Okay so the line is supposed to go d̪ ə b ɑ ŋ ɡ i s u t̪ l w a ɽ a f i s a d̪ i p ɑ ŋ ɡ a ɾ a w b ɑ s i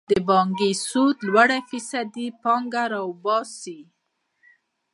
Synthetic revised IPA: d̪ ə b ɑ ŋ ɡ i s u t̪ l w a ɽ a f i s a d̪ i p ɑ ŋ ɡ a ɾ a w b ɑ s i